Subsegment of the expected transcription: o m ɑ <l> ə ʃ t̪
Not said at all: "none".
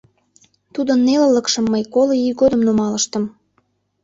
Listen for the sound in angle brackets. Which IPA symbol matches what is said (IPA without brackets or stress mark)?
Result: l